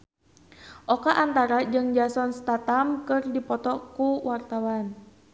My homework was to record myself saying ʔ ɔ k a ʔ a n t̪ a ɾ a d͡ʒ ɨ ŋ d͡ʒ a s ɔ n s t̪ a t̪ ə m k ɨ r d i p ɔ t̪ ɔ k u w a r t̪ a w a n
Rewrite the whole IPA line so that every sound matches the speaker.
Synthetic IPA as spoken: ʔ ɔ k a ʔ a n t̪ a ɾ a d͡ʒ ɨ ŋ d͡ʒ a s ɔ n s t̪ a t̪ a m k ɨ r d i p ɔ t̪ ɔ k u w a r t̪ a w a n